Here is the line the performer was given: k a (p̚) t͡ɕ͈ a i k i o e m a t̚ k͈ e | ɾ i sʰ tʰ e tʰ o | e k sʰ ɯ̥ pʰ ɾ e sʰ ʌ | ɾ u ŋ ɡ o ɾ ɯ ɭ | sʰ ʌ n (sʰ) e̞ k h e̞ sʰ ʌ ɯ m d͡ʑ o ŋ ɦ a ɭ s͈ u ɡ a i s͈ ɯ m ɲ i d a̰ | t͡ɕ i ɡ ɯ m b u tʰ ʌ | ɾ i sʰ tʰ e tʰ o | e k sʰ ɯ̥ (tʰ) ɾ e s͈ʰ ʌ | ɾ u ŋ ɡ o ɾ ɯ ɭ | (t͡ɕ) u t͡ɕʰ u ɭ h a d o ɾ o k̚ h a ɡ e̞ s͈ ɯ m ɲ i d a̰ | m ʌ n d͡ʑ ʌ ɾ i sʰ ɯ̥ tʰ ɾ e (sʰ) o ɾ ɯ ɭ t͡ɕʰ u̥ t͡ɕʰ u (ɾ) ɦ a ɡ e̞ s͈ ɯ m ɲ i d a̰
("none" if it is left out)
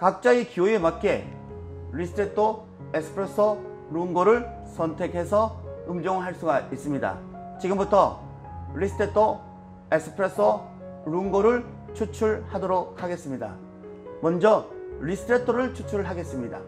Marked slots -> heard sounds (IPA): k̚, tʰ, pʰ, t͡ɕʰ, tʰ, ɭ

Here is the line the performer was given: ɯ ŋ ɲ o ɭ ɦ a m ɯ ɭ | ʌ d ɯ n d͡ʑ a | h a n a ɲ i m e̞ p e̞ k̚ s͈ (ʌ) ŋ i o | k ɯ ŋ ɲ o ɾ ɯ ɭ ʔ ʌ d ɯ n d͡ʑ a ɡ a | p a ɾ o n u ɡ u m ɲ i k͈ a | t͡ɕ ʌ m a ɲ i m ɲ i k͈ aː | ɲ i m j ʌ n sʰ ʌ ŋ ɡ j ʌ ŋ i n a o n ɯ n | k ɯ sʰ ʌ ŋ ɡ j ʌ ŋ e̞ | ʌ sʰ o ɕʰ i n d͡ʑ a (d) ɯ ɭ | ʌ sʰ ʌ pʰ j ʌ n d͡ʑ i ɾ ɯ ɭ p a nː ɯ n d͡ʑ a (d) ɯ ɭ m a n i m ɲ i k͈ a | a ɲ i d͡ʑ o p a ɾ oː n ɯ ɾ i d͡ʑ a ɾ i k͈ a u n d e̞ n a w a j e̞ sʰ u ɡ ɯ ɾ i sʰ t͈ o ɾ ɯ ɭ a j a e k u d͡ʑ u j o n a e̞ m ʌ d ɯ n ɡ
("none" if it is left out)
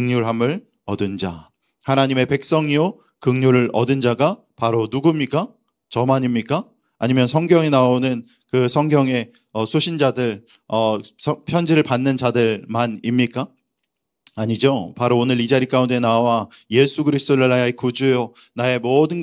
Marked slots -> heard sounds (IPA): ʌ, d, d

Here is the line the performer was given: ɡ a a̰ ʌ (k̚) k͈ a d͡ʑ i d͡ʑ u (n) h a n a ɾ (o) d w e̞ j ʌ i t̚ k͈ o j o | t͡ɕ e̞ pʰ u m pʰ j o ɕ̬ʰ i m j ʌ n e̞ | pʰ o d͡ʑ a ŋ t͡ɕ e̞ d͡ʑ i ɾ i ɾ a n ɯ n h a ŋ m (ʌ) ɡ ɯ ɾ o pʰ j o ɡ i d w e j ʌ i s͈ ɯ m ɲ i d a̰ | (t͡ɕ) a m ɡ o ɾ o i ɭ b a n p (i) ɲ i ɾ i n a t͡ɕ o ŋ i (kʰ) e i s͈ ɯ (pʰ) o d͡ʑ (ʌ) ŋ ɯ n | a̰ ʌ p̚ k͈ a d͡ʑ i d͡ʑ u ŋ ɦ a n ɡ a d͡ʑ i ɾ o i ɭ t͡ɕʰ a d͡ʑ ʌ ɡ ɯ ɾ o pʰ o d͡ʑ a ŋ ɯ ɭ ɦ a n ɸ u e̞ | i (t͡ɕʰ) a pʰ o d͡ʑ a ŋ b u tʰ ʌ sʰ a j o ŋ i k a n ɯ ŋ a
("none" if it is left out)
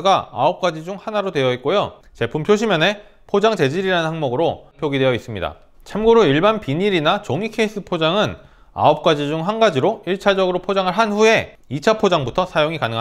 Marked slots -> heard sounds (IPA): p̚, ŋ, o, ʌ, t͡ɕʰ, i, kʰ, pʰ, a, t͡ɕʰ

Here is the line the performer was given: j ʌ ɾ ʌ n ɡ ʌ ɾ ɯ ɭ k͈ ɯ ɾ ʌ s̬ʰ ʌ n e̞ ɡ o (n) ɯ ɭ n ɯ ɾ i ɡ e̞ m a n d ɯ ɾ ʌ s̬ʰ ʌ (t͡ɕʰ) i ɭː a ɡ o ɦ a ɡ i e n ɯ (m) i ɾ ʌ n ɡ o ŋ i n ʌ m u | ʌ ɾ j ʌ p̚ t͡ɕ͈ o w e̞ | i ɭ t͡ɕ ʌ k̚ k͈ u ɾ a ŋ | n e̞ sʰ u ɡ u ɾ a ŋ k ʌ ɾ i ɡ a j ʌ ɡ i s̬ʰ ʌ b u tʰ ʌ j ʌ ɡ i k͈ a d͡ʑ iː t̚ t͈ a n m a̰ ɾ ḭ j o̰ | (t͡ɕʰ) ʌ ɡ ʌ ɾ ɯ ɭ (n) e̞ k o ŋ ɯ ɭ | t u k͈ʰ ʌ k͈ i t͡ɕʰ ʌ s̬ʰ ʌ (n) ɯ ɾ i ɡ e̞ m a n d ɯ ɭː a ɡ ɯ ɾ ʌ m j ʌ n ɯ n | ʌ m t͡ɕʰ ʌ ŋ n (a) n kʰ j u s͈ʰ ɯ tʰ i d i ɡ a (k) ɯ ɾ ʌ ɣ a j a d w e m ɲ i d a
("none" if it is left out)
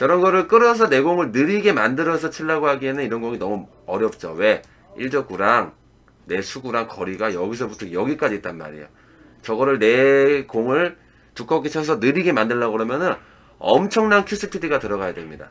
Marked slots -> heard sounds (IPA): ŋ, t͡ɕʰ, n, t͡ɕ, n, n, a, t

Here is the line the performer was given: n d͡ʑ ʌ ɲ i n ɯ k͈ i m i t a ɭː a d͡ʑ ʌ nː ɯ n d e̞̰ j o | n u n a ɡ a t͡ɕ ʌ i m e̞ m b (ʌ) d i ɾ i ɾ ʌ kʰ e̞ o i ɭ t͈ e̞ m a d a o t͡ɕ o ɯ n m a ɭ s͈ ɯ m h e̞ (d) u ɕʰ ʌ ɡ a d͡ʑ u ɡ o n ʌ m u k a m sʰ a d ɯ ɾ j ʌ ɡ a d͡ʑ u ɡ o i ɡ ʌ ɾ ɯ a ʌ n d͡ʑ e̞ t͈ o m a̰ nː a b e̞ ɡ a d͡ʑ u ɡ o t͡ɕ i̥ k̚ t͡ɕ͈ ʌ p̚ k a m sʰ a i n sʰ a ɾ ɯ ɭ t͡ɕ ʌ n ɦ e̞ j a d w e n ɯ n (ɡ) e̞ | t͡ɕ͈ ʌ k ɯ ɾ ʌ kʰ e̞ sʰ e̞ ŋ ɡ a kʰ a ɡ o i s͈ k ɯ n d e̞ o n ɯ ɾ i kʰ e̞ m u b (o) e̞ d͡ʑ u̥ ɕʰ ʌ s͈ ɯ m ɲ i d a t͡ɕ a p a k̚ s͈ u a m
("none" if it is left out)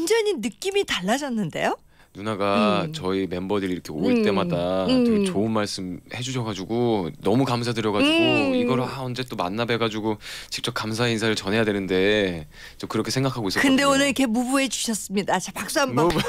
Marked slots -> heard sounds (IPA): ʌ, d͡ʑ, d, u

